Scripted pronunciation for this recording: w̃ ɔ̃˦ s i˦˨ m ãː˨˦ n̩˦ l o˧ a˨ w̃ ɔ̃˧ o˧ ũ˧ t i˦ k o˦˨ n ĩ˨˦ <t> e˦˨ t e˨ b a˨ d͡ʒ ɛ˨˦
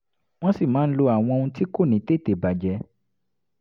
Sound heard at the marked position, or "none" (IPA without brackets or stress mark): t